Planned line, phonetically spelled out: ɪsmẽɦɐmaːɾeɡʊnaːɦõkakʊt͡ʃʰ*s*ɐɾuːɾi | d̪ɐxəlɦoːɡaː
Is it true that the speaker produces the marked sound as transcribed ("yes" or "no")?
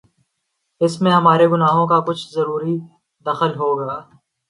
no